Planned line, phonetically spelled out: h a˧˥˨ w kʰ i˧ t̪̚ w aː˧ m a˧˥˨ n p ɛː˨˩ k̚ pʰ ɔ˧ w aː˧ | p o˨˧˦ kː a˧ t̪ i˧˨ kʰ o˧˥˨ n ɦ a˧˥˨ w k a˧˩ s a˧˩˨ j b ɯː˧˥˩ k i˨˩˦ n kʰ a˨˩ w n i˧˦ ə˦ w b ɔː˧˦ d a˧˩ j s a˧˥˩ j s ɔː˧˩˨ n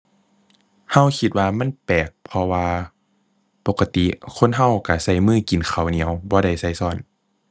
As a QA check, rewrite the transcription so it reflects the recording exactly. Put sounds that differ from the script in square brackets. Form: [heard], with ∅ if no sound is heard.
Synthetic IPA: h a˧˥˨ w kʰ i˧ t̪̚ w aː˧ m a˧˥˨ n p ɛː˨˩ k̚ pʰ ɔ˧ w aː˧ | p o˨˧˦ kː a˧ t̪ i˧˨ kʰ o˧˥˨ n ɦ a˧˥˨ w k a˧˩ s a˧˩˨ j [m] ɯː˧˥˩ k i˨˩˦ n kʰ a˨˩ w n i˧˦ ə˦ w b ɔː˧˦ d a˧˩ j s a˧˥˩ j s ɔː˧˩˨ n